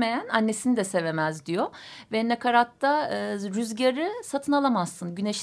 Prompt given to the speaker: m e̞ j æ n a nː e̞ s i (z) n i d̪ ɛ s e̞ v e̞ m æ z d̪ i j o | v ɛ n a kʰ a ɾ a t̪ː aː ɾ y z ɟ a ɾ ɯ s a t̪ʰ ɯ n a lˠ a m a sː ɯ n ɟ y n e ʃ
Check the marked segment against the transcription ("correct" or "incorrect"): incorrect